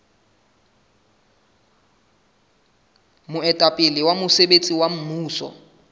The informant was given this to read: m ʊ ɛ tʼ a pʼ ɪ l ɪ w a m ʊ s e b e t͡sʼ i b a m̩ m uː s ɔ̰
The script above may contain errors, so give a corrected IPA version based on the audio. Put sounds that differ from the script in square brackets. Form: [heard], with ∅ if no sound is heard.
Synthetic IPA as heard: m ʊ ɛ tʼ a pʼ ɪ l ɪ w a m ʊ s e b e t͡sʼ i [w] a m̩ m uː s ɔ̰